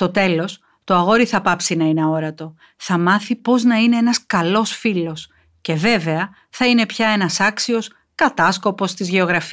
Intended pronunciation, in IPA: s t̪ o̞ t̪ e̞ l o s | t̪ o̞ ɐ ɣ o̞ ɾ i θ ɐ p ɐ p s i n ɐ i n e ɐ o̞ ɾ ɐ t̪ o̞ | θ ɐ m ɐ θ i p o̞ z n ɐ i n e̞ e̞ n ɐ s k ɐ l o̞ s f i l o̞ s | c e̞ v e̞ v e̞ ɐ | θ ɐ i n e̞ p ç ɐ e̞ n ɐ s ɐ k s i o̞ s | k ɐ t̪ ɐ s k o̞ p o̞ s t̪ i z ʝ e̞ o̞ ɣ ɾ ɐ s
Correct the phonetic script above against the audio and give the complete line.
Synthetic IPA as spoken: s t̪ o̞ t̪ e̞ l o s | t̪ o̞ ɐ ɣ o̞ ɾ i θ ɐ p ɐ p s i n ɐ i n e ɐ o̞ ɾ ɐ t̪ o̞ | θ ɐ m ɐ θ i p o̞ z n ɐ i n e̞ e̞ n ɐ s k ɐ l o̞ s f i l o̞ s | c e̞ v e̞ v e̞ ɐ | θ ɐ i n e̞ p ç ɐ e̞ n ɐ s ɐ k s i o̞ s | k ɐ t̪ ɐ s k o̞ p o̞ s t̪ i z ʝ e̞ o̞ ɣ ɾ ɐ f